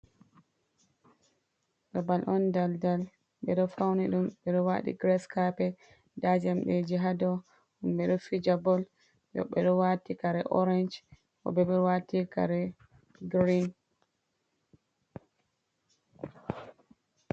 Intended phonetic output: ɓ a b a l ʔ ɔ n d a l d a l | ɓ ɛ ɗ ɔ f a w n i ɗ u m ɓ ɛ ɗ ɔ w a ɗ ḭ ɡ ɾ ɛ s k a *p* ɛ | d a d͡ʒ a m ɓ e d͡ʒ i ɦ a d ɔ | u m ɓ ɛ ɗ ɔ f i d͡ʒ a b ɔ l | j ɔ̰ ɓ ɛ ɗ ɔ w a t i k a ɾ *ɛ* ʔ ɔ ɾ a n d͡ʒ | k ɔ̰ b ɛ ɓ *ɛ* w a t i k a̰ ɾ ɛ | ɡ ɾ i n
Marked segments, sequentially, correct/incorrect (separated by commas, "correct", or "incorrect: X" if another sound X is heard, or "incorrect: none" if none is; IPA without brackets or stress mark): correct, correct, correct